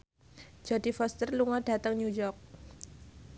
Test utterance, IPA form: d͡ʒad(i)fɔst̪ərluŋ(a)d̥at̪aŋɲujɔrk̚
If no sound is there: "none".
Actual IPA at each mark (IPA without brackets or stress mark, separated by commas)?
i, a